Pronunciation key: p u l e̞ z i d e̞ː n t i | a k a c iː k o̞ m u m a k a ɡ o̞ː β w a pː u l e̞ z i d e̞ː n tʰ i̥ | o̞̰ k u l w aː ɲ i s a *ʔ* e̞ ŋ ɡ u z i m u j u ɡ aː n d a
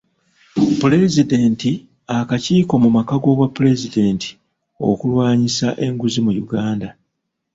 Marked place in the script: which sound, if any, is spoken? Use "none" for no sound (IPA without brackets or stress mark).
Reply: ʔ